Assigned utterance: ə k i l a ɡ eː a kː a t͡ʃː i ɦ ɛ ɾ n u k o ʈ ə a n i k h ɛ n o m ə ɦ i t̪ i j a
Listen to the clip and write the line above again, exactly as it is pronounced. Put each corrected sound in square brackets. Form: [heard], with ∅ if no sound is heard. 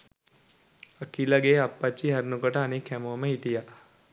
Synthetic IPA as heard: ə k i l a ɡ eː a [pː] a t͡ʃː i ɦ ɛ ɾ n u k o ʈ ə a n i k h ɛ [m] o m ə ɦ i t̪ i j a